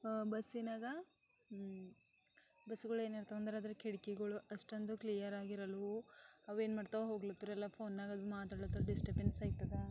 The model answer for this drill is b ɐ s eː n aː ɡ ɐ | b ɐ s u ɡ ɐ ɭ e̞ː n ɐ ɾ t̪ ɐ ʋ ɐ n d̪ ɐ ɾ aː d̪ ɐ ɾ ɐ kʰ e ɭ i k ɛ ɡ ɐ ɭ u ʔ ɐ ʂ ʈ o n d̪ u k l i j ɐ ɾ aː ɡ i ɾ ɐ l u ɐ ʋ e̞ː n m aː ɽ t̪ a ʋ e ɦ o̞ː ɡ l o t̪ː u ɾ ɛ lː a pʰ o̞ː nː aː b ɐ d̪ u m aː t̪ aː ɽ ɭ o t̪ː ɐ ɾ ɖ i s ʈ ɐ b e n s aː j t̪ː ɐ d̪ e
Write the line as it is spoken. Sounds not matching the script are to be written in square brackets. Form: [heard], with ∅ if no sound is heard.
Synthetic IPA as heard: b ɐ s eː n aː ɡ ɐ | b ɐ s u ɡ ɐ ɭ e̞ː n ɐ ɾ t̪ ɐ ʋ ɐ n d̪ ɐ ɾ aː d̪ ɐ ɾ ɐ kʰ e [ɽ] i k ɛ ɡ ɐ ɭ u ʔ ɐ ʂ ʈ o n d̪ u k l i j ɐ ɾ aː ɡ i ɾ ɐ l u ɐ ʋ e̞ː n m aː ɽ t̪ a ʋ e ɦ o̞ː ɡ l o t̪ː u ɾ ɛ lː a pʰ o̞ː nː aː [ɡ] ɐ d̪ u m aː t̪ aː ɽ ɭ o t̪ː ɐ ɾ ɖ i s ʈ ɐ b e n s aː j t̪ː ɐ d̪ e

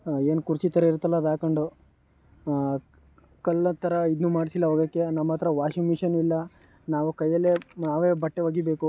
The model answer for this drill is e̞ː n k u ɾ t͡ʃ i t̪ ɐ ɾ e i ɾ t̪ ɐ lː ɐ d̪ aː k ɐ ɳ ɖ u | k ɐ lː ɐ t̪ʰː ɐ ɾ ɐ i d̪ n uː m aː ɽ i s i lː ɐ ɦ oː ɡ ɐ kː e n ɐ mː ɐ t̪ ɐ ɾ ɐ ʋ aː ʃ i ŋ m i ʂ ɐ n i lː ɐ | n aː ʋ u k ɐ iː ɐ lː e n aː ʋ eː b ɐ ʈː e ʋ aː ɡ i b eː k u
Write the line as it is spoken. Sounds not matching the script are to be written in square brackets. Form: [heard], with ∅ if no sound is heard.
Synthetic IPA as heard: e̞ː n k u ɾ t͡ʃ i t̪ ɐ ɾ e i ɾ t̪ ɐ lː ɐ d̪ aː k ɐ ɳ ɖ u | k ɐ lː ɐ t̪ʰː ɐ ɾ ɐ i d̪ n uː m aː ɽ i s i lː ɐ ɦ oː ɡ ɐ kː e n ɐ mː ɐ t̪ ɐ ɾ ɐ ʋ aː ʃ i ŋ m i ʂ ɐ n i lː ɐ | n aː ʋ u k ɐ [jː] ɐ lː e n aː ʋ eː b ɐ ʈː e ʋ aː ɡ i b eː k u

